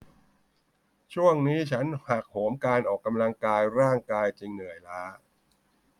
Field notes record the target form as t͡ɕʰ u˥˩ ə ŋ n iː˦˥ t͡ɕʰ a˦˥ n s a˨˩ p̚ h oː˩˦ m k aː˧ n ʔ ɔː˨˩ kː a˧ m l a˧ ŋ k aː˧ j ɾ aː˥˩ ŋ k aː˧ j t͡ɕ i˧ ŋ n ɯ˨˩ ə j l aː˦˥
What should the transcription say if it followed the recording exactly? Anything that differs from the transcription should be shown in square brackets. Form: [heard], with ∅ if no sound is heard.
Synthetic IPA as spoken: t͡ɕʰ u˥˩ ə ŋ n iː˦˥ t͡ɕʰ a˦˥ n [h] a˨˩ [k̚] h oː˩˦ m k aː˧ n ʔ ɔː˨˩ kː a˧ m l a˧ ŋ k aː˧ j ɾ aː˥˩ ŋ k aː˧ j t͡ɕ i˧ ŋ n ɯ˨˩ ə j l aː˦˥